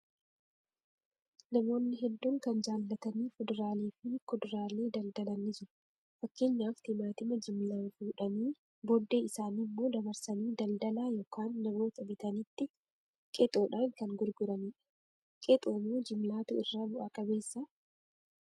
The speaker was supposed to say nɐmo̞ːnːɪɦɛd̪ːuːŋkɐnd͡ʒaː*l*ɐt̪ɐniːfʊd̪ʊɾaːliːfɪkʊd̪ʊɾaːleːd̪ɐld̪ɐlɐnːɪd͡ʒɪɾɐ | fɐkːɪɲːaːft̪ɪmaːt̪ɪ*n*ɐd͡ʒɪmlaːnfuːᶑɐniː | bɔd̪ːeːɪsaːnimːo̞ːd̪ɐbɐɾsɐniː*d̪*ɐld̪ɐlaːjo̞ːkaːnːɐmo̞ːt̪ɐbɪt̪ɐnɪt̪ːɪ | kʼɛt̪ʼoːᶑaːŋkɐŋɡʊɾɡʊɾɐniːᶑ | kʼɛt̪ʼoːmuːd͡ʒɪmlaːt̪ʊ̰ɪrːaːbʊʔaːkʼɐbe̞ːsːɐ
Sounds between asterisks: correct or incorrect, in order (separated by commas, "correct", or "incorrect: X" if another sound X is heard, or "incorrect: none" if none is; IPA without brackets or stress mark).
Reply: incorrect: lː, incorrect: m, correct